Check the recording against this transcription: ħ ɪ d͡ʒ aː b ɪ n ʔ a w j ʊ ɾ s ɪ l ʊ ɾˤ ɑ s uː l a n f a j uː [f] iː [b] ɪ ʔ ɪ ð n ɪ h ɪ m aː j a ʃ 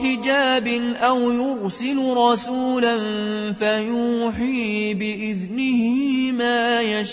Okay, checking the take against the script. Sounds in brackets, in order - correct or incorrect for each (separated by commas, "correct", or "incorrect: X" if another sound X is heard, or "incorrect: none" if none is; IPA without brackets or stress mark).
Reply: incorrect: ħ, correct